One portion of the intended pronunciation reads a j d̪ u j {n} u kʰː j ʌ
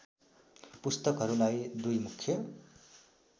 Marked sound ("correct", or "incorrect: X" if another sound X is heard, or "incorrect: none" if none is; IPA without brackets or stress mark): incorrect: m